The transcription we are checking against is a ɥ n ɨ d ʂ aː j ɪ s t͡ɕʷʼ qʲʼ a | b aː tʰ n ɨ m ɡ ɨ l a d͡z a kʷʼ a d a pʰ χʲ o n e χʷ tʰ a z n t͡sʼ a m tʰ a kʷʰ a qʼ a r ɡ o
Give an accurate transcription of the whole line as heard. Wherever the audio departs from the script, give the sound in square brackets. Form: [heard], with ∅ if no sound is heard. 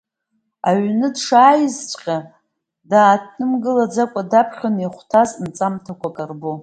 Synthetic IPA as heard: a ɥ n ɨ d ʂ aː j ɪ [z] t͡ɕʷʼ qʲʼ a | [d] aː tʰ n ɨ m ɡ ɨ l a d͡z a kʷʼ a d a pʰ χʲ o n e χʷ tʰ a z n t͡sʼ a m tʰ a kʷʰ a [kʼ] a r [b] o

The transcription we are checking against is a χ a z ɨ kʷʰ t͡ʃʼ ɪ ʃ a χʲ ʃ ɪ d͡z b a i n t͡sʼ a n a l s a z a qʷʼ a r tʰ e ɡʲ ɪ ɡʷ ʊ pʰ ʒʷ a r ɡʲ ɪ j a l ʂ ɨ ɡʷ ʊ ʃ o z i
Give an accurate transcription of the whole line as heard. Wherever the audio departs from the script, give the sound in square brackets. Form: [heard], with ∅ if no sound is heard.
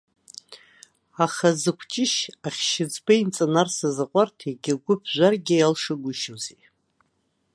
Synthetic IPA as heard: a χ a z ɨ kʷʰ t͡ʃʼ ɪ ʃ a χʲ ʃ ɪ d͡z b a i n t͡sʼ a n a [r] s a z a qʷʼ a r tʰ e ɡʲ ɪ ɡʷ ʊ pʰ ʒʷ a r ɡʲ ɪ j a l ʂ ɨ ɡʷ ʊ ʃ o z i

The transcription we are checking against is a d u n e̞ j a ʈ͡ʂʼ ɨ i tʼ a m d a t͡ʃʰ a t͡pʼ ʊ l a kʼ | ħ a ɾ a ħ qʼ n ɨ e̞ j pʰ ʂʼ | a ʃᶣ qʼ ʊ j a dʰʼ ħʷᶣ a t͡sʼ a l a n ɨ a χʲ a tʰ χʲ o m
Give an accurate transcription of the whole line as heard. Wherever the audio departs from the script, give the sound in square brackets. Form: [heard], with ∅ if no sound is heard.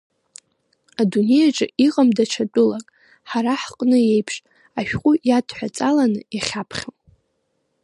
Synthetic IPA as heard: a d u n e̞ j a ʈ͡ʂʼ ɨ i [qʼ] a m d a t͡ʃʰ a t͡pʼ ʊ l a kʼ | ħ a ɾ a ħ qʼ n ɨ e̞ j pʰ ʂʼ | a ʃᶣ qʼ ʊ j a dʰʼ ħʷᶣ a t͡sʼ a l a n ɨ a χʲ a [pʰ] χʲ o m

